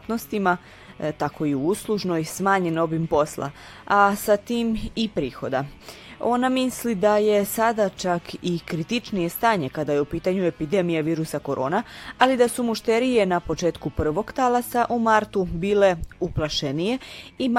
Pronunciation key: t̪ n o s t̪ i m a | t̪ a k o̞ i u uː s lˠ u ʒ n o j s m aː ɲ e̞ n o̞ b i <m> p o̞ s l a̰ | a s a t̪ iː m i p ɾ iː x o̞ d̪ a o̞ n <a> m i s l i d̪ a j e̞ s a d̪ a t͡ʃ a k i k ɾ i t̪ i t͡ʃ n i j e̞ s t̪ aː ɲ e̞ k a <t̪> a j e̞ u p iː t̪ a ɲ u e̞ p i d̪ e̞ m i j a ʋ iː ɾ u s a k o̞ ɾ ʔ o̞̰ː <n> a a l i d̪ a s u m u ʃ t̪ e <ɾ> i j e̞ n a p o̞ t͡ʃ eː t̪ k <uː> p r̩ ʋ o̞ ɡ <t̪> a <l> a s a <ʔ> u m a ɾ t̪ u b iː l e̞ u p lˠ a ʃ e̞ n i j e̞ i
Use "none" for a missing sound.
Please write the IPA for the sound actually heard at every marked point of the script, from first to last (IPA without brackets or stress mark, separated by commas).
m, a, d̪, n, ɾ, u, t̪, l, ʔ